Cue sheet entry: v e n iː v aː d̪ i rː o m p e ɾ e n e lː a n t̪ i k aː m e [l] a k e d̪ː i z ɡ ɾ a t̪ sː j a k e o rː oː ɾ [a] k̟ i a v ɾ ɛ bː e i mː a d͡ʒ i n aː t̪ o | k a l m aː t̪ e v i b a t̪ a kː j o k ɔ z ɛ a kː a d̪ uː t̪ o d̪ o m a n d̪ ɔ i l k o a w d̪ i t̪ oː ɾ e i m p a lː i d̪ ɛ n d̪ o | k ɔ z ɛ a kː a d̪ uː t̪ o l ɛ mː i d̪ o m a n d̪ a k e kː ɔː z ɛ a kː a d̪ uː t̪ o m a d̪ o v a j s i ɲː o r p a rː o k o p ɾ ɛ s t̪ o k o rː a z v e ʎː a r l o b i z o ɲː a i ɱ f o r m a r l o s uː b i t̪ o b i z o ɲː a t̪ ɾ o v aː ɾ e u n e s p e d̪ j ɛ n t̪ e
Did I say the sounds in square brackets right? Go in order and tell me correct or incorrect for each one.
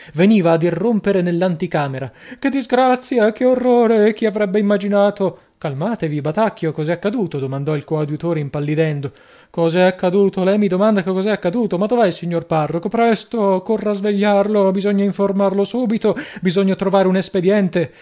incorrect: ɾ, incorrect: e

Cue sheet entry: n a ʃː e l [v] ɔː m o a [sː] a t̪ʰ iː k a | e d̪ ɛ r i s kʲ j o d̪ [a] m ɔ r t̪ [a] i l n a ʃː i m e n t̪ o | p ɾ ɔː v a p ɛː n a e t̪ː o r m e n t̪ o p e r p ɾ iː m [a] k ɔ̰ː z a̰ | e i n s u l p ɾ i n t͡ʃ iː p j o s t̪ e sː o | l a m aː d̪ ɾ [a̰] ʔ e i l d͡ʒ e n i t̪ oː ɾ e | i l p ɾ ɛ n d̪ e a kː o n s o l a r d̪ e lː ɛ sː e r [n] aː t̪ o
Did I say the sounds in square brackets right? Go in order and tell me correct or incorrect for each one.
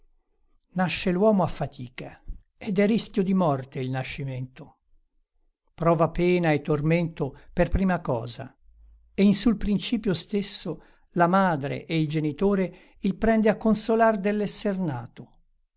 incorrect: w, incorrect: fː, incorrect: i, incorrect: e, correct, incorrect: ḛ, correct

